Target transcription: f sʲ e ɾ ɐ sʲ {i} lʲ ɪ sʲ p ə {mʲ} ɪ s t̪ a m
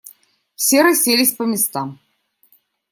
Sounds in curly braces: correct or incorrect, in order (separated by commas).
incorrect, correct